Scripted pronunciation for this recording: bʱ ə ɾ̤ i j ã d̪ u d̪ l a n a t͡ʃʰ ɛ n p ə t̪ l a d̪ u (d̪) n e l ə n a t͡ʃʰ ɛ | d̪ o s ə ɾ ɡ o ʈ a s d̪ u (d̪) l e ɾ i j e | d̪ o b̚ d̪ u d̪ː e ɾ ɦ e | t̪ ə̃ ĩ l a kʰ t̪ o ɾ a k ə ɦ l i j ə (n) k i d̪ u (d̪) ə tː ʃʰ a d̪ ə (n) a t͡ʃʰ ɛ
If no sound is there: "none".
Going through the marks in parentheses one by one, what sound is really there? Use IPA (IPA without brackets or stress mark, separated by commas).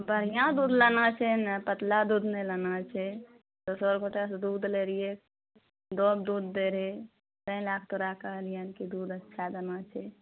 d̪, d̪, n, d̪, n